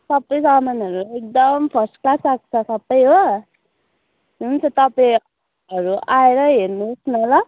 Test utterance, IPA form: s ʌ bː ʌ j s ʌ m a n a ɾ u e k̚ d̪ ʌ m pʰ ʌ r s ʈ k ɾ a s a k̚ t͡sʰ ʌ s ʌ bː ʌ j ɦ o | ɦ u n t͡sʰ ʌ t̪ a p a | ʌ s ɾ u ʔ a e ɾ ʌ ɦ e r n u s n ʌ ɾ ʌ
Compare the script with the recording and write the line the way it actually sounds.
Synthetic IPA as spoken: s ʌ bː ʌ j s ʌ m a n ʌ ɾ u e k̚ d̪ ʌ m pʰ ʌ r s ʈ k l a s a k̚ t͡sʰ ʌ s ʌ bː ʌ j ɦ o | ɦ u n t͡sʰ ʌ t̪ ʌ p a | ʌ ɾ u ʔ a e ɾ ʌ ɦ e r n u s n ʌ l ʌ